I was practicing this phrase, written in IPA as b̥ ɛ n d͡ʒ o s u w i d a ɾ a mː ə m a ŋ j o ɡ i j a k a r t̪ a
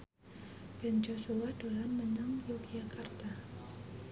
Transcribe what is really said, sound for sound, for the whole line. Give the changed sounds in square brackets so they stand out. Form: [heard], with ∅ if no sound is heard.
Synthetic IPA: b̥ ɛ n d͡ʒ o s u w [a] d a [l] a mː ə [n] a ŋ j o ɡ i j a k a r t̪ a

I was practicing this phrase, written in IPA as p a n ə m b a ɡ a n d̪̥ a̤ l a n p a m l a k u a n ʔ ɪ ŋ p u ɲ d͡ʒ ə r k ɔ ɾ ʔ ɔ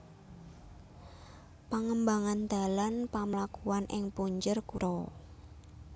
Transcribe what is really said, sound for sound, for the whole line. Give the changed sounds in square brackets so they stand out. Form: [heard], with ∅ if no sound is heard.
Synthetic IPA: p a [ŋ] ə m b a [ŋ] a n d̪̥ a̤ l a n p a m l a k u a n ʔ ɪ ŋ p u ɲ d͡ʒ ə r k [u] ɾ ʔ ɔ

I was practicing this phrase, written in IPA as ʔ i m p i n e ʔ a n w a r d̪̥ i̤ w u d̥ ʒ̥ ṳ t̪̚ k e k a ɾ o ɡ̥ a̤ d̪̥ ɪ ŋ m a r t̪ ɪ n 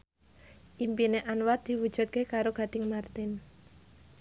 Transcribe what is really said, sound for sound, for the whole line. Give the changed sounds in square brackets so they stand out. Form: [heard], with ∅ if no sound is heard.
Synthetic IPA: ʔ i m p i n e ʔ a n w a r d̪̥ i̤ w u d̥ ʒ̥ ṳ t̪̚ k e k a ɾ o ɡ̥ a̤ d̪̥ ɪ ŋ m a r t̪ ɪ n

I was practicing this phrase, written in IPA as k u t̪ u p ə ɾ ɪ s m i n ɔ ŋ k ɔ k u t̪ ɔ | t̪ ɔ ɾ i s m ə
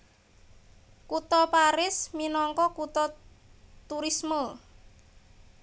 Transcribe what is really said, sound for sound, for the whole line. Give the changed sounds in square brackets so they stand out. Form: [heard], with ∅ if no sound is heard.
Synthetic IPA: k u t̪ [ɔ] p [a] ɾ ɪ s m i n ɔ ŋ k ɔ k u t̪ ɔ | t̪ [u] ɾ i s m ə

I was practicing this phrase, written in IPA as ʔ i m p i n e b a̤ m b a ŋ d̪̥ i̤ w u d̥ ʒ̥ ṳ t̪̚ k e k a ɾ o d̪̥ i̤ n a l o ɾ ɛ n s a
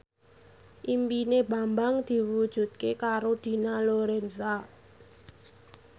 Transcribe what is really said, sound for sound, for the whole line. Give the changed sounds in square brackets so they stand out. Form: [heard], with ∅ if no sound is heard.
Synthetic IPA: ʔ i m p i n e b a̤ m b a ŋ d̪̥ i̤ w u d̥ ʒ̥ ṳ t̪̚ k e k a ɾ o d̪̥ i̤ n a l o ɾ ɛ n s a

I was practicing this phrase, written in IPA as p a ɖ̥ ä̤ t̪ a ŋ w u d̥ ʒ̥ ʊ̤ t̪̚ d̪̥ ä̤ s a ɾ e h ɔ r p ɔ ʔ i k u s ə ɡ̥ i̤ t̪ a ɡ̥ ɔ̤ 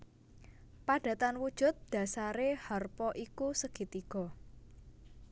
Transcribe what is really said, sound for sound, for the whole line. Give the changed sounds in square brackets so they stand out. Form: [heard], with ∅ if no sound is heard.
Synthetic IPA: p a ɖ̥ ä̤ t̪ a [n] w u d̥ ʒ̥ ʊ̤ t̪̚ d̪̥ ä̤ s a ɾ e h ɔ r p ɔ ʔ i k u s ə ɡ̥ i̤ t̪ [i] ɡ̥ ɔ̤

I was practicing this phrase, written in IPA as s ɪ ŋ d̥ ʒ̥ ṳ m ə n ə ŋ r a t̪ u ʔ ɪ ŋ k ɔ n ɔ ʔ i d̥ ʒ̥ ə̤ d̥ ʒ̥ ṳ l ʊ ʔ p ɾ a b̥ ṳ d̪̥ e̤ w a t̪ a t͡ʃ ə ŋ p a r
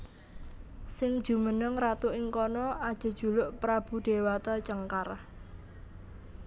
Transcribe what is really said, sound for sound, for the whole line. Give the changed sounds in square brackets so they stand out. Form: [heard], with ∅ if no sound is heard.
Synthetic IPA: s ɪ ŋ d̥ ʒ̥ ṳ m ə n ə ŋ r a t̪ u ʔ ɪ ŋ k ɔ n ɔ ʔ [a] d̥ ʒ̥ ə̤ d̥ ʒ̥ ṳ l ʊ ʔ p ɾ a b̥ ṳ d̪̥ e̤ w a t̪ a t͡ʃ ə ŋ [k] a r

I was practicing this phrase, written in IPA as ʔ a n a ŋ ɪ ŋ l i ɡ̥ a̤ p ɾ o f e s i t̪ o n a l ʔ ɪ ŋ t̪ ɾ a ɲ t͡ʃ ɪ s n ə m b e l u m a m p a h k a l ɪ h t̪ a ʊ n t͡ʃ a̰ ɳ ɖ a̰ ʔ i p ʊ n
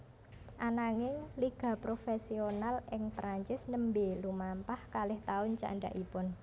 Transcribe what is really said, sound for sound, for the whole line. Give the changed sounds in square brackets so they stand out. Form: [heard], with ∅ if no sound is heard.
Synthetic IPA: ʔ a n a ŋ ɪ ŋ l i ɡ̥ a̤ p ɾ o f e s i [∅] o n a l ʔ ɪ ŋ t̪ ɾ a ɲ t͡ʃ ɪ s n ə m b e l u m a m p a h k a l ɪ h t̪ a ʊ n t͡ʃ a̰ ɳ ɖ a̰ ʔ i p ʊ n

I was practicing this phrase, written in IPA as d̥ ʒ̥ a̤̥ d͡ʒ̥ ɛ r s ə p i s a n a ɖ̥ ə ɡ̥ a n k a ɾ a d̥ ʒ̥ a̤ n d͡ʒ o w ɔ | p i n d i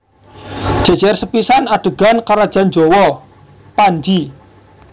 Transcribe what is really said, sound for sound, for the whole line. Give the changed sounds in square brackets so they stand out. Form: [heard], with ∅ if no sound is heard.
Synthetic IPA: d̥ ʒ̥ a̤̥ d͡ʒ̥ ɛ r s ə p i s a n a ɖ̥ ə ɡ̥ a n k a ɾ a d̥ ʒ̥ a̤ n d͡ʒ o w ɔ | p [a] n [d͡ʒ] i

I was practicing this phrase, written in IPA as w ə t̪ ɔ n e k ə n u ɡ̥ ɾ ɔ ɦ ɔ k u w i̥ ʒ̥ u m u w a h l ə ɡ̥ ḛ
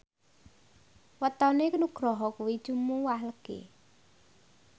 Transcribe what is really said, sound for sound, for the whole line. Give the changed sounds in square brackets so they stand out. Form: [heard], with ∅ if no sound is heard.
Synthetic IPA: w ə t̪ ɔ n e k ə n u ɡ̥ ɾ ɔ ɦ ɔ k u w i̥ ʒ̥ u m u w a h l ə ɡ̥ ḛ

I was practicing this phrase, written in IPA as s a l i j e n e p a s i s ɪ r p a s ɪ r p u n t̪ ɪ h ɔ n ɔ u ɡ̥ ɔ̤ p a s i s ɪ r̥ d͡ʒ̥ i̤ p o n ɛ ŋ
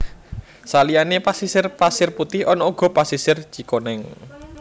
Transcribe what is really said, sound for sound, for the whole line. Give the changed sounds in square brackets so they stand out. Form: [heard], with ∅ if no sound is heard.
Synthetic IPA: s a l i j [a] n e p a s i s ɪ r p a s ɪ r p u [∅] t̪ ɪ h ɔ n ɔ u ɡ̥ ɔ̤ p a s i s ɪ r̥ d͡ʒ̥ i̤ [k] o n ɛ ŋ

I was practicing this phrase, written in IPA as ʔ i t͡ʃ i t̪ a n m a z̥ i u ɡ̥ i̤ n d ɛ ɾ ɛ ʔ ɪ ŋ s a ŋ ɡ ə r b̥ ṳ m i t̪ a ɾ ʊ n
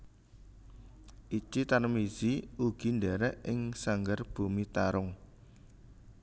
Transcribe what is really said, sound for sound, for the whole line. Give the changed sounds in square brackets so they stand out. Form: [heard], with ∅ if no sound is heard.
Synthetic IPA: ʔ i t͡ʃ i t̪ a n m [i] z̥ i u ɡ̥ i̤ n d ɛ ɾ ɛ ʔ ɪ ŋ s a ŋ ɡ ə r b̥ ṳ m i t̪ a ɾ ʊ [ŋ]

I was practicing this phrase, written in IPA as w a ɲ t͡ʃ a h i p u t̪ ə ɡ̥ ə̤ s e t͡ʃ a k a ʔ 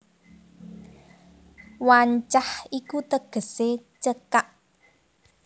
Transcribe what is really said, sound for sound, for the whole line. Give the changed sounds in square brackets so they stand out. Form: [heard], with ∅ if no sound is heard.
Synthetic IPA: w a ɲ t͡ʃ a h i [k] u t̪ ə ɡ̥ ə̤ s e t͡ʃ [ə] k a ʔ

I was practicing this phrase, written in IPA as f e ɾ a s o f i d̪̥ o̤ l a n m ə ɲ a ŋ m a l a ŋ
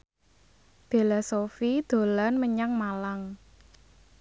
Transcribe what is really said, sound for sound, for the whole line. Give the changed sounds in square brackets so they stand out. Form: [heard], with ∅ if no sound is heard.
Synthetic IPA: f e [l] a s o f i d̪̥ o̤ l a n m ə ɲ a ŋ m a l a ŋ

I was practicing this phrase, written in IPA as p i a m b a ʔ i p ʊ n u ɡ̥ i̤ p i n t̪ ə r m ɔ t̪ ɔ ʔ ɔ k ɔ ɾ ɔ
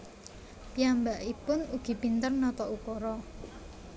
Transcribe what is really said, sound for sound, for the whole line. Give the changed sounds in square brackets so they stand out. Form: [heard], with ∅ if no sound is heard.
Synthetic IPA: p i a m b a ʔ i p ʊ n u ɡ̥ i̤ p i n t̪ ə r [n] ɔ t̪ ɔ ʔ [u] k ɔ ɾ ɔ

